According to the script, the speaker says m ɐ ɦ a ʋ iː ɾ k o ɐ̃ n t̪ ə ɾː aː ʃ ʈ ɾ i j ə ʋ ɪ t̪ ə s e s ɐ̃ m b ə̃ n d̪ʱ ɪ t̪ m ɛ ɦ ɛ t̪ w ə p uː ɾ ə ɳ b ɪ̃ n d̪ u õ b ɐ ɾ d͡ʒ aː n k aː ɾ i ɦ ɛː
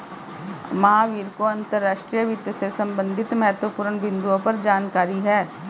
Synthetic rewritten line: m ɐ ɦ a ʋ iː ɾ k o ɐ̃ n t̪ ə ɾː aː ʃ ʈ ɾ i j ə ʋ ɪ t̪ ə s e s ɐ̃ m b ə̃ n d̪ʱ ɪ t̪ m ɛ ɦ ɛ t̪ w ə p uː ɾ ə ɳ b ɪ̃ n d̪ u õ p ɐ ɾ d͡ʒ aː n k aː ɾ i ɦ ɛː